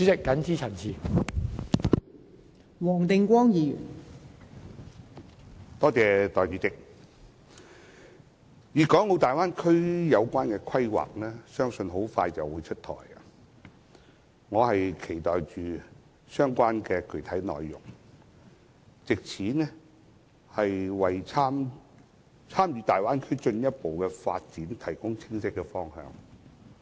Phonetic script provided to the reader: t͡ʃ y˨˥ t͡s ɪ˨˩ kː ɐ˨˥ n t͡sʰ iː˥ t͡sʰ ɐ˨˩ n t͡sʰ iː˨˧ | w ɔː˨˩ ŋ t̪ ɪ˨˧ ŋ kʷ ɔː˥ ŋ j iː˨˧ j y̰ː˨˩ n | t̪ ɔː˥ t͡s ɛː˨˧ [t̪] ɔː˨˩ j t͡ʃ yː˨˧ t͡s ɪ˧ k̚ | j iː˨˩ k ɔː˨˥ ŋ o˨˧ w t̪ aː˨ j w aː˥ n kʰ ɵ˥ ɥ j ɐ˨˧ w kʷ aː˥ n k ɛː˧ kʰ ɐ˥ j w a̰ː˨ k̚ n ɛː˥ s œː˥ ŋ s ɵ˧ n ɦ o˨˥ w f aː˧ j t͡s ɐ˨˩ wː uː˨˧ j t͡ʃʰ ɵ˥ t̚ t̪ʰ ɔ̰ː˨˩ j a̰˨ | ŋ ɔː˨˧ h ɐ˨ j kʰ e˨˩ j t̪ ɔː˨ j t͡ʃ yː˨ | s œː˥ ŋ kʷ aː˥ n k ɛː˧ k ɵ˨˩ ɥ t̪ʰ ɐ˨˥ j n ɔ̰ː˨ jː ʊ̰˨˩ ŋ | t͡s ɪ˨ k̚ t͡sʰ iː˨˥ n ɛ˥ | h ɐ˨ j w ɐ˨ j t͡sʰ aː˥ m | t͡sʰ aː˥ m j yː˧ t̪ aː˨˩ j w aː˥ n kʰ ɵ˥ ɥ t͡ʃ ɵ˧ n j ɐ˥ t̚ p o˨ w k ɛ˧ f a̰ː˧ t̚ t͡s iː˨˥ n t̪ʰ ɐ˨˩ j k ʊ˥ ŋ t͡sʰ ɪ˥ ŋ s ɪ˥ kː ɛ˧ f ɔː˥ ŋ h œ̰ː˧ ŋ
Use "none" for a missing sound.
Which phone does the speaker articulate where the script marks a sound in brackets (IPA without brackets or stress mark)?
t̪